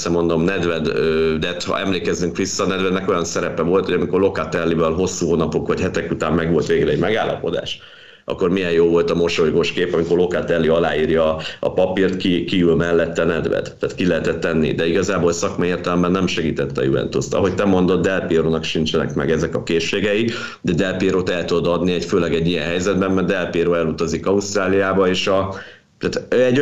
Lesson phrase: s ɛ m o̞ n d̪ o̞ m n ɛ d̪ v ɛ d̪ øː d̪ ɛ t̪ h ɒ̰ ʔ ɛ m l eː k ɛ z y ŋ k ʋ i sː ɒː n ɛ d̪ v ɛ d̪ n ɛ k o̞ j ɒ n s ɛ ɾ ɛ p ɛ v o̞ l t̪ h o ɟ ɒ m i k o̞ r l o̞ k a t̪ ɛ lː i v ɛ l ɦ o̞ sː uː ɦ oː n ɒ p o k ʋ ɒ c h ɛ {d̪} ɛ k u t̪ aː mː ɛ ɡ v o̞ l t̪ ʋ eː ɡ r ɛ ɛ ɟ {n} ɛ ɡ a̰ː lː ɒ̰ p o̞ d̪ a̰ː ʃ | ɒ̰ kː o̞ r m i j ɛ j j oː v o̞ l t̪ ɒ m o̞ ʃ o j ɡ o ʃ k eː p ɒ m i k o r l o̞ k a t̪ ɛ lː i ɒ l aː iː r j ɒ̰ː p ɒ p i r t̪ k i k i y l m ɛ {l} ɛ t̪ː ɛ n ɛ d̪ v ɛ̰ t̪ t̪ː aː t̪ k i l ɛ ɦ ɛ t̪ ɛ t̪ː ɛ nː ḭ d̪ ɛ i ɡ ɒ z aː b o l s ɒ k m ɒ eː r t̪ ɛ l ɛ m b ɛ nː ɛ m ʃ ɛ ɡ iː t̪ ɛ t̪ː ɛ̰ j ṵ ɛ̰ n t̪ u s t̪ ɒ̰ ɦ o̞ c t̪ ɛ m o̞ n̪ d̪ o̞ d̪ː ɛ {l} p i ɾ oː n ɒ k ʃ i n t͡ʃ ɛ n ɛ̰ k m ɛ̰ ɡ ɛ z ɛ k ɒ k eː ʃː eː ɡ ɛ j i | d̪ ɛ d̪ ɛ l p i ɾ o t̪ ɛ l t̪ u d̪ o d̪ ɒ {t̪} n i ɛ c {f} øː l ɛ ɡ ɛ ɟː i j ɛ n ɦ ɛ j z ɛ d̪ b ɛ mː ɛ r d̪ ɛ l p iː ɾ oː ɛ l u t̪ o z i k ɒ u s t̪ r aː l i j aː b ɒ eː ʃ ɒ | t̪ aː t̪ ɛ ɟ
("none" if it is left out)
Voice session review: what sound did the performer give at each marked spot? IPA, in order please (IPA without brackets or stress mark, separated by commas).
t̪, m, lː, l, d̪, f